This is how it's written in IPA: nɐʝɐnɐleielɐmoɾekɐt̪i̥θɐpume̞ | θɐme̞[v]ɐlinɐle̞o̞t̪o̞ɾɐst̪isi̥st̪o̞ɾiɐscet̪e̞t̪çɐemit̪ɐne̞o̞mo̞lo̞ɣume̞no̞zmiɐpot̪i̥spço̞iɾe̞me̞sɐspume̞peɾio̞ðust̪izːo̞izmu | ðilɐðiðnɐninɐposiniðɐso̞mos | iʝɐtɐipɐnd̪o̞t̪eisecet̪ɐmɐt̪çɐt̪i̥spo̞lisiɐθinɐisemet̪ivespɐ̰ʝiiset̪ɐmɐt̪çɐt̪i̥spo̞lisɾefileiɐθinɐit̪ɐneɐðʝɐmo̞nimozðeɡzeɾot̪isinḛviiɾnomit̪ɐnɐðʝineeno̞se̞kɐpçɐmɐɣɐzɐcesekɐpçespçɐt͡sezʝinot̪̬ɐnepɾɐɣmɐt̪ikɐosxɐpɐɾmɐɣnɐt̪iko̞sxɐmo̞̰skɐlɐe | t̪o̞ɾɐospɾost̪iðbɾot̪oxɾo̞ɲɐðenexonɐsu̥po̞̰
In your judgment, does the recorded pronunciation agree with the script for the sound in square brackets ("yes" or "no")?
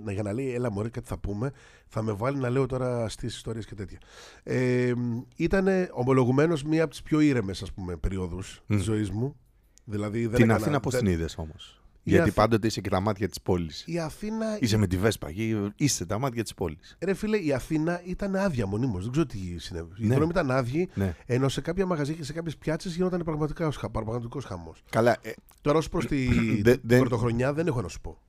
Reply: yes